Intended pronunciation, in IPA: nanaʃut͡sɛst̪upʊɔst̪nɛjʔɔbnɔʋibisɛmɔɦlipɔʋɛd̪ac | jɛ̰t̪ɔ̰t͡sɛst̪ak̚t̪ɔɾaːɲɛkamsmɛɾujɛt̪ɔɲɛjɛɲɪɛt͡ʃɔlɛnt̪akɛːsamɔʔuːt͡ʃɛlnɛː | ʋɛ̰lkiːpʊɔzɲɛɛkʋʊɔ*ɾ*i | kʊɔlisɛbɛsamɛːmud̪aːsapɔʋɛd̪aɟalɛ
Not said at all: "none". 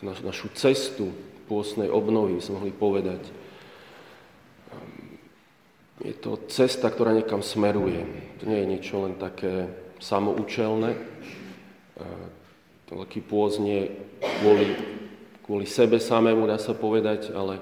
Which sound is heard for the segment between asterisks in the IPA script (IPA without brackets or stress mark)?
l